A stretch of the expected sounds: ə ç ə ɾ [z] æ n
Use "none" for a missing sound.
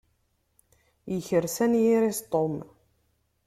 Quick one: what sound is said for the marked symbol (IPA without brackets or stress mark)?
s